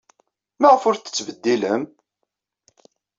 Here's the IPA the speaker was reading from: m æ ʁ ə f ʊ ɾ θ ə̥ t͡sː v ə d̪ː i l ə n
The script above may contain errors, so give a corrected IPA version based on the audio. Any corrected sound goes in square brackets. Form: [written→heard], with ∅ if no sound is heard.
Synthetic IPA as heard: m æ ʁ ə f ʊ ɾ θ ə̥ t͡sː v ə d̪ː i l ə [n→m]